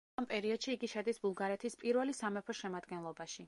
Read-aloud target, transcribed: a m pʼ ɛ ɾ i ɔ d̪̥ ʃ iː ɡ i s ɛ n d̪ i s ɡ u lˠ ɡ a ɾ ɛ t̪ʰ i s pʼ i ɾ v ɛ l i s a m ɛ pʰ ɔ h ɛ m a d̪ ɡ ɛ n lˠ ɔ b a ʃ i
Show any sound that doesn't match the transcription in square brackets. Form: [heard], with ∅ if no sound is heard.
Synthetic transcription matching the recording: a m pʼ ɛ ɾ i ɔ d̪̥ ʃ iː ɡ i [ʃ] ɛ [∅] d̪ i s [b] u lˠ ɡ a ɾ ɛ t̪ʰ i s pʼ i ɾ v ɛ l i s a m ɛ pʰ ɔ [ʃ] ɛ m a d̪ ɡ ɛ n lˠ ɔ b a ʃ i